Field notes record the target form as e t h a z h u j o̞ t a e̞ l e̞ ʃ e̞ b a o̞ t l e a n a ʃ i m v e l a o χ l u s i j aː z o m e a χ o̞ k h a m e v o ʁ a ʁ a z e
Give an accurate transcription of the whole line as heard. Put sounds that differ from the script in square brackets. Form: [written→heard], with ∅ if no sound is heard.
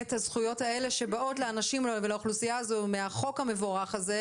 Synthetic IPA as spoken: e t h a z [h→χ] u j o̞ t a e̞ l e̞ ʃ e̞ b a o̞ t l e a n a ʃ i m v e l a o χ l u s i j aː z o m e a χ o̞ k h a m e v o ʁ a [ʁ→χ] a z e